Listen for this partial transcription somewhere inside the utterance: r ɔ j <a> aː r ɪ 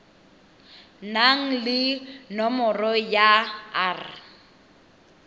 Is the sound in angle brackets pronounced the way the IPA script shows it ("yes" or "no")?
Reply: yes